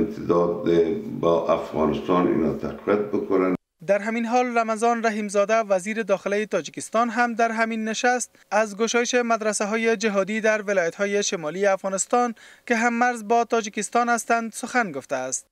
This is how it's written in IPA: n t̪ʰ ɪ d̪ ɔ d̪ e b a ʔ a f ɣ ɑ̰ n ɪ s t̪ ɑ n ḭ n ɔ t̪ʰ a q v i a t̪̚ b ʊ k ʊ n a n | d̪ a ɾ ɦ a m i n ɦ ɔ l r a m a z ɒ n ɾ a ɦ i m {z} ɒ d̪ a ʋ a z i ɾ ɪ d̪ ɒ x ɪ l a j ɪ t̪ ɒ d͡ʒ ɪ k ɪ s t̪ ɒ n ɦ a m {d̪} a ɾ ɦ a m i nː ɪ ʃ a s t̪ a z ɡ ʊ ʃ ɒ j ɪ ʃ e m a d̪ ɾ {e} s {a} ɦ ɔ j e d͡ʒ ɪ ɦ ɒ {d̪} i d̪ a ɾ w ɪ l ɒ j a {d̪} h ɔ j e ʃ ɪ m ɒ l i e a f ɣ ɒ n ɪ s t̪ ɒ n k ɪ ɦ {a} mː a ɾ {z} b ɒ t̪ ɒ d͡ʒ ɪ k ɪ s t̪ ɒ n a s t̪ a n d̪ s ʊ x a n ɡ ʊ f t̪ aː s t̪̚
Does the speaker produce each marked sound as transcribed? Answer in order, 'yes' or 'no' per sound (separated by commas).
yes, yes, no, yes, yes, no, yes, yes